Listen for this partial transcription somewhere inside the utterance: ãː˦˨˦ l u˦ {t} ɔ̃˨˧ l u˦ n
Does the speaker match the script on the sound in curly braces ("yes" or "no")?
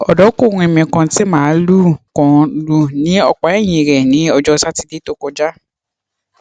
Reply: no